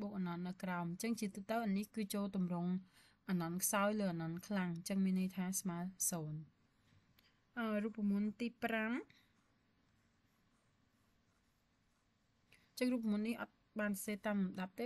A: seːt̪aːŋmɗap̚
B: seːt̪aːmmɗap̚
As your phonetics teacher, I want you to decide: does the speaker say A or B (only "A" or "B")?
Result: B